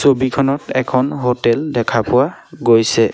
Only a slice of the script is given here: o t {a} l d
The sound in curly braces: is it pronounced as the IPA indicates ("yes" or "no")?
no